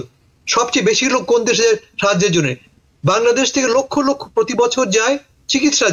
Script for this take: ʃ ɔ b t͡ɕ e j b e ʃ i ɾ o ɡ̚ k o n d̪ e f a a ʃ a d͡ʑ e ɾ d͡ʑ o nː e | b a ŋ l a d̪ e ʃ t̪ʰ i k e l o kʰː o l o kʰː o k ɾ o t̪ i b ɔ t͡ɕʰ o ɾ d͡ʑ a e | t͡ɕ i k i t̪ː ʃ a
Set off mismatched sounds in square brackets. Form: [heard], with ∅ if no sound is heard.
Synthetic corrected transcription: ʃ ɔ b t͡ɕ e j b e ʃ i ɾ o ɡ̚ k o n d̪ e [ʃ] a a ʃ a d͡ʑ e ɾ d͡ʑ o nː e | b a ŋ l a d̪ e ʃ t̪ʰ [e] k e l o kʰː o l o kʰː o [p] ɾ o t̪ i b ɔ t͡ɕʰ o ɾ d͡ʑ a e | t͡ɕ i k i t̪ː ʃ a